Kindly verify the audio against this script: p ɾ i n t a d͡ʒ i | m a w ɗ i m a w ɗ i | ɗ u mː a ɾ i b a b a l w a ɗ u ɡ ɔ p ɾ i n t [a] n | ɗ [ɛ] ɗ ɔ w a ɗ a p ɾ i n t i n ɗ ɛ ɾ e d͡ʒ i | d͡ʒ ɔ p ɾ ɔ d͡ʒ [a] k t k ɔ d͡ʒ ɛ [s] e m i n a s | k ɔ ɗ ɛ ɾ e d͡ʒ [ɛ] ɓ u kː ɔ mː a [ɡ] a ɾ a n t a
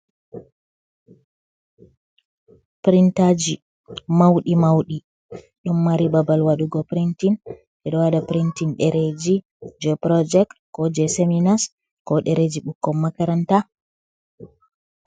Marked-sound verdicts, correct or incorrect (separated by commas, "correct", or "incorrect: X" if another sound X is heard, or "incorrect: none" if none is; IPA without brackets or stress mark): incorrect: i, correct, incorrect: ɛ, correct, incorrect: i, incorrect: k